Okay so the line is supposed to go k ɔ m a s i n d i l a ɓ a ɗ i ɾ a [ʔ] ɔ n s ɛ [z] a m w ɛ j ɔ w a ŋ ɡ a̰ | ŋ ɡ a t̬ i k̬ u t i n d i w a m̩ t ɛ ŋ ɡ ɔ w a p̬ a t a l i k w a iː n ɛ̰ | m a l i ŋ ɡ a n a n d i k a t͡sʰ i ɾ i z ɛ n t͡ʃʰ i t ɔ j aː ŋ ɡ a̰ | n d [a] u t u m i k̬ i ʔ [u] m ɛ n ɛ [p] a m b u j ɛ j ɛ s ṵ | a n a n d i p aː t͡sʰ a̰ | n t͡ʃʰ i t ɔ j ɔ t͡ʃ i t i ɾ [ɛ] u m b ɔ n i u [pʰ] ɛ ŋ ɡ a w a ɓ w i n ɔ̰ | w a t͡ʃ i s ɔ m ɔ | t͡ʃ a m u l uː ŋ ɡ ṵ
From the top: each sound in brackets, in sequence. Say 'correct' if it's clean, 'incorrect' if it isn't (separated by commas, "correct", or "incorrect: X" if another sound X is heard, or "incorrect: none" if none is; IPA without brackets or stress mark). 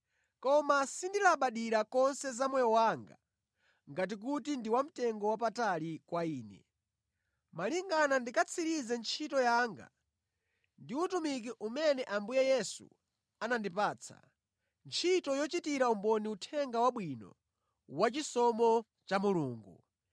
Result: incorrect: k, correct, incorrect: i, correct, incorrect: ʔ, incorrect: a, incorrect: tʰ